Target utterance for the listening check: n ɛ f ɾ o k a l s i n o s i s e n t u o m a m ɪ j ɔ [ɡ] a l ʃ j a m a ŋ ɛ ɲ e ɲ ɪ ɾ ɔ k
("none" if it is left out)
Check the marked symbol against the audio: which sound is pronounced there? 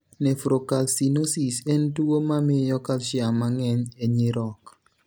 k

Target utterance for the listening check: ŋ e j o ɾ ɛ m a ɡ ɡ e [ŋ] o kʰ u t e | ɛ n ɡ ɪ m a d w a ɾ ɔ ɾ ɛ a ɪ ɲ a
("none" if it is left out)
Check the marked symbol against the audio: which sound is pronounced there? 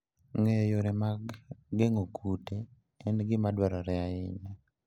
ŋ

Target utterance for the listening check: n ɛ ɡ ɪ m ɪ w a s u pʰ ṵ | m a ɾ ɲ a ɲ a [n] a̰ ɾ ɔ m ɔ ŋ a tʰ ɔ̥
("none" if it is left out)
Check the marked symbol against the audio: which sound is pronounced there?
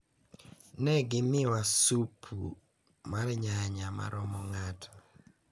m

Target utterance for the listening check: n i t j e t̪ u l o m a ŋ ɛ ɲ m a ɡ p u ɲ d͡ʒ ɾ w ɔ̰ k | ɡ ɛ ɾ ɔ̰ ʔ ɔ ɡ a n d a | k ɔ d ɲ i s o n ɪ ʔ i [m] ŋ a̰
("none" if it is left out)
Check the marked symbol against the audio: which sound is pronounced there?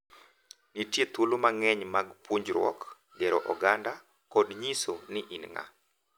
n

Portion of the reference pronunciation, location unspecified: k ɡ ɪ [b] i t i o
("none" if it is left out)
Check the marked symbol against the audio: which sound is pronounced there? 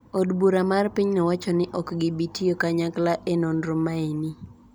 b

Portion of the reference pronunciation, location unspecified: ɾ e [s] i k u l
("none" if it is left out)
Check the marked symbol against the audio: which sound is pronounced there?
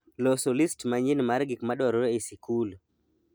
s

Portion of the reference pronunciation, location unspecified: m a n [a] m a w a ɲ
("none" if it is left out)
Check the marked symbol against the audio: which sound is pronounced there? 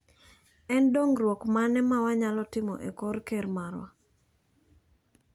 ɛ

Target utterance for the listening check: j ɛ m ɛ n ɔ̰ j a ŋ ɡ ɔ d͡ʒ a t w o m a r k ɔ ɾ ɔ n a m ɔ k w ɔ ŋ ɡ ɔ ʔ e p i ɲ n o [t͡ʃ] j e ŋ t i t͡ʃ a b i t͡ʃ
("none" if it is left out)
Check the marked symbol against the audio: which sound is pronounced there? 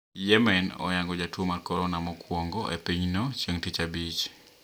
t͡ʃ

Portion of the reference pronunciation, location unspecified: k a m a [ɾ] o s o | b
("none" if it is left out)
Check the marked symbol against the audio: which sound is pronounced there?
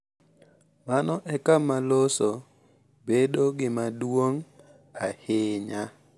l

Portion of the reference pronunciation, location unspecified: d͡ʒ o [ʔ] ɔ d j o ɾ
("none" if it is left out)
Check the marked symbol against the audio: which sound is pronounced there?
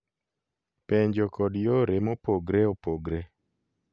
k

